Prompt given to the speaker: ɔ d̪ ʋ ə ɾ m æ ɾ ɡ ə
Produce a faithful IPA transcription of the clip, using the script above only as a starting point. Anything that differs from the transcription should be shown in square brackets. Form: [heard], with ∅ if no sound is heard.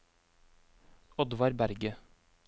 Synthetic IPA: ɔ d̪ ʋ [ɑ] ɾ [b] æ ɾ ɡ ə